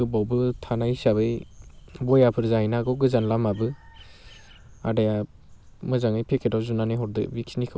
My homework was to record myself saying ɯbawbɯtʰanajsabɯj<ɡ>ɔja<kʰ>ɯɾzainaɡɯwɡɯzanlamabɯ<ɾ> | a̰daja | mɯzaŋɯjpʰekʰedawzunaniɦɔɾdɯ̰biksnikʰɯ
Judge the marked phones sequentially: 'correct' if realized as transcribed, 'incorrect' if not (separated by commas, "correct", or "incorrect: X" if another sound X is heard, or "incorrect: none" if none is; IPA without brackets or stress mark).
incorrect: b, incorrect: pʰ, incorrect: none